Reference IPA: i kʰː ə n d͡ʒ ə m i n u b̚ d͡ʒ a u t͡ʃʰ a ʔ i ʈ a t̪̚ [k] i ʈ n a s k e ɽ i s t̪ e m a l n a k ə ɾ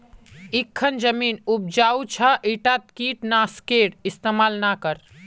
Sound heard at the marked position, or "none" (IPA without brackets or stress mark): k